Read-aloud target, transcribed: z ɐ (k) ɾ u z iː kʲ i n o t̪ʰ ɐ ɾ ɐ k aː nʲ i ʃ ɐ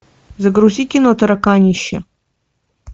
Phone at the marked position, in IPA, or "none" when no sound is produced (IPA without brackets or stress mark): ɡ